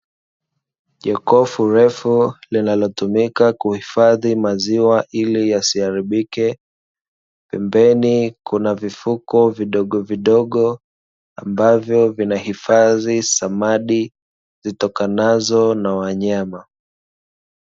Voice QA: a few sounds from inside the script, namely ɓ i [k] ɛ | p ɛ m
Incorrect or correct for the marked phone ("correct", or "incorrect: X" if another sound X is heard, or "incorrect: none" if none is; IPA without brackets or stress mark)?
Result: correct